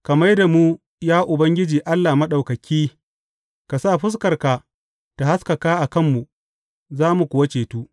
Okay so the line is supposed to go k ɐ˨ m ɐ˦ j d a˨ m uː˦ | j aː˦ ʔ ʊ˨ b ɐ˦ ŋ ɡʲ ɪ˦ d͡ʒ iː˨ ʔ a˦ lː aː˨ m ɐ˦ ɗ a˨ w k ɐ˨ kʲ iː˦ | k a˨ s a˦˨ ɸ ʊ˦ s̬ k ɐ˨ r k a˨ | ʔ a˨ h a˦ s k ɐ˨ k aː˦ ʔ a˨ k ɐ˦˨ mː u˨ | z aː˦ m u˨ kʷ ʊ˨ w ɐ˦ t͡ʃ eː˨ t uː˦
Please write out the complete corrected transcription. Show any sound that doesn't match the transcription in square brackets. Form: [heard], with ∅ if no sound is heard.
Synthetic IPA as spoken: k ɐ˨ m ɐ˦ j d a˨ m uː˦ | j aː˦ ʔ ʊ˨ b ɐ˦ ŋ ɡʲ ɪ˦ d͡ʒ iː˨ ʔ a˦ lː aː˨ m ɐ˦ ɗ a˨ w k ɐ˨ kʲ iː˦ | k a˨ s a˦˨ ɸ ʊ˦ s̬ k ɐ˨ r k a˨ | [t] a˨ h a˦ s k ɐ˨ k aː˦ ʔ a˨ k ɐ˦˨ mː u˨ | z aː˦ m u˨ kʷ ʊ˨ w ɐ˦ t͡ʃ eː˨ t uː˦